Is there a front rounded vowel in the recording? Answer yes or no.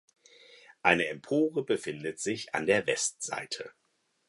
no